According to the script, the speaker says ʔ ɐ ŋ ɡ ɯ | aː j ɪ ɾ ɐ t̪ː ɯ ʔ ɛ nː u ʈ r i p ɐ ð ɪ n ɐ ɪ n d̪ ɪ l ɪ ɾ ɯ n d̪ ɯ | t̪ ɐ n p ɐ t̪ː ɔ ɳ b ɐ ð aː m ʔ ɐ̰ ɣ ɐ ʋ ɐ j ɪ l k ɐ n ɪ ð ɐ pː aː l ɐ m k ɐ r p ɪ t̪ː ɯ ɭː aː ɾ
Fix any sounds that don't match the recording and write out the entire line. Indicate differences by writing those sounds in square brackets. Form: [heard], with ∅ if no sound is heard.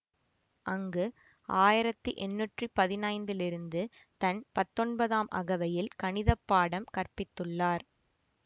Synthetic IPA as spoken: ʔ ɐ ŋ ɡ ɯ | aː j ɪ ɾ ɐ t̪ː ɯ ʔ ɛ nː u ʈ r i p ɐ ð ɪ n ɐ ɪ n d̪ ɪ l ɪ ɾ ɯ n d̪ ɯ | t̪ ɐ n p ɐ t̪ː ɔ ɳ b ɐ ð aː m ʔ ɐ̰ ɣ ɐ ʋ ɐ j ɪ l k ɐ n ɪ ð ɐ pː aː [ɽ] ɐ m k ɐ r p ɪ t̪ː ɯ ɭː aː ɾ